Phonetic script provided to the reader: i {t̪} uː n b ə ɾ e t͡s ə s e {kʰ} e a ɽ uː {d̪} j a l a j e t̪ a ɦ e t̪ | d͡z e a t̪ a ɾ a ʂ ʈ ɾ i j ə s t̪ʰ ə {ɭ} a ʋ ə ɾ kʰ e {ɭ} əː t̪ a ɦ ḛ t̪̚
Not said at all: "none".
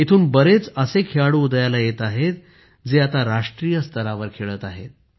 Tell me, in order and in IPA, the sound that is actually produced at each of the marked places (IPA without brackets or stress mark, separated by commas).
t̪ʰ, kʰ, d̪, ɾ, ɭ